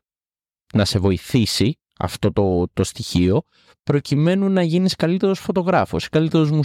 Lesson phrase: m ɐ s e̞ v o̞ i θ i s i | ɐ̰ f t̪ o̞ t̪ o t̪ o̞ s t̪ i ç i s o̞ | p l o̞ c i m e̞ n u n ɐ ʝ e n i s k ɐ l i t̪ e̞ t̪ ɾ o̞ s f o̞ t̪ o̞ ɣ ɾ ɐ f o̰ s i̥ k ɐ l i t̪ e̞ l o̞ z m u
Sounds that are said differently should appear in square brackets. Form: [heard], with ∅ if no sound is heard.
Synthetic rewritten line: [n] ɐ s e̞ v o̞ i θ i s i | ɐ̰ f t̪ o̞ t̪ o t̪ o̞ s t̪ i ç i [∅] o̞ | p [ɾ] o̞ c i m e̞ n u n ɐ ʝ [i] n i s k ɐ l i t̪ e̞ [∅] ɾ o̞ s f o̞ t̪ o̞ ɣ ɾ ɐ f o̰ s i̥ k ɐ l i t̪ e̞ [ɾ] o̞ z m u